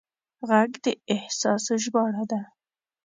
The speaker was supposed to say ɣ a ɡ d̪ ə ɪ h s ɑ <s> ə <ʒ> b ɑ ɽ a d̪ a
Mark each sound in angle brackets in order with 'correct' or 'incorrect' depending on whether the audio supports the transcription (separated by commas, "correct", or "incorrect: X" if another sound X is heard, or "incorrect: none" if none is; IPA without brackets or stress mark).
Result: correct, correct